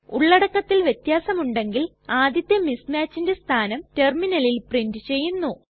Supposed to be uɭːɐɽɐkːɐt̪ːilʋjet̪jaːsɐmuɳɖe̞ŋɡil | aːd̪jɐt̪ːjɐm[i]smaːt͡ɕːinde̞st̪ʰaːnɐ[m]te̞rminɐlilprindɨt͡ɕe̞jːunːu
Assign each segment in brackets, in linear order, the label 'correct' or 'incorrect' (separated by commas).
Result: correct, correct